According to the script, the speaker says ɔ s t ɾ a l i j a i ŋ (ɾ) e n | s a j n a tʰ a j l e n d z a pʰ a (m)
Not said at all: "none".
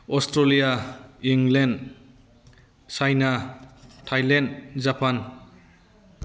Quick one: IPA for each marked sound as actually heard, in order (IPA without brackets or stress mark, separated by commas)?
l, n